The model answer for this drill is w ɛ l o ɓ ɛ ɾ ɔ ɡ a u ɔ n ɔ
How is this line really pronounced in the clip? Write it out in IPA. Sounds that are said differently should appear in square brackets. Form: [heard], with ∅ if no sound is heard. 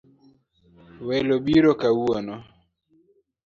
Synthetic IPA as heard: w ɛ l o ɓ [i] ɾ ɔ [k] a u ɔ n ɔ